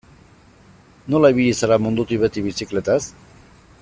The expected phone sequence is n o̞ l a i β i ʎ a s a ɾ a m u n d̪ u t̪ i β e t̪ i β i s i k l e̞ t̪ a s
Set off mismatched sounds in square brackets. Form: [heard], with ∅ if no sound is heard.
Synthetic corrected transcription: n o̞ l a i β i ʎ [i] s a ɾ a m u n d̪ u t̪ i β e t̪ i β i s i k l e̞ t̪ a s